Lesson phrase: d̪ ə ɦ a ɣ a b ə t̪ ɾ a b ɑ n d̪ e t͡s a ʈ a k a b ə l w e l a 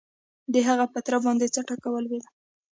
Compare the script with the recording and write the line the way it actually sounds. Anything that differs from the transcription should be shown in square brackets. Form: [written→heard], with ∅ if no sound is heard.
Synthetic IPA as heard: d̪ ə ɦ a ɣ a [b→p] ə t̪ ɾ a b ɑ n d̪ e t͡s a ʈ a k a [b→w] ə l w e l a